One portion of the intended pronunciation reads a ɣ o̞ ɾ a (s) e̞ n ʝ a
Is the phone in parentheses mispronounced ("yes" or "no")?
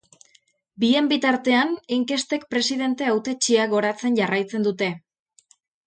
yes